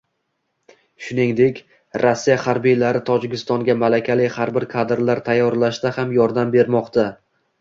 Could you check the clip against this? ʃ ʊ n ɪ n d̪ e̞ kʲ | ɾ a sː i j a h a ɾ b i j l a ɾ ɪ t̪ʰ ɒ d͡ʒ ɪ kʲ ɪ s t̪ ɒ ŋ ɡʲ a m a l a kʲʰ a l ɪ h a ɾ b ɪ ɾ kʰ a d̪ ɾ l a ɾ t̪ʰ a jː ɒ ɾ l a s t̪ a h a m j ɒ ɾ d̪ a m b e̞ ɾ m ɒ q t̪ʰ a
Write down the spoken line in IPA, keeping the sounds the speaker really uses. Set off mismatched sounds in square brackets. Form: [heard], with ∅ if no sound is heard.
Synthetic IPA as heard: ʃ ʊ n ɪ [ŋ] d̪ e̞ kʲ | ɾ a sː i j a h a ɾ b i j l a ɾ ɪ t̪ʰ ɒ d͡ʒ ɪ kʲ ɪ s t̪ ɒ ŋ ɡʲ a m a l a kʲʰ a l ɪ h a ɾ b ɪ ɾ kʰ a d̪ ɾ l a ɾ t̪ʰ a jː ɒ ɾ l a [ʃ] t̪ a h a m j ɒ ɾ d̪ a m b e̞ ɾ m ɒ q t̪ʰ a